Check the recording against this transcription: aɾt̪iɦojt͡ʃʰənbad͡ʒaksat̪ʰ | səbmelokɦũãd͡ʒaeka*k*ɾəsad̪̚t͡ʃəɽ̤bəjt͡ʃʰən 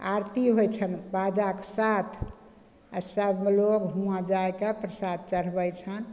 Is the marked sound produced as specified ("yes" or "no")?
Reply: no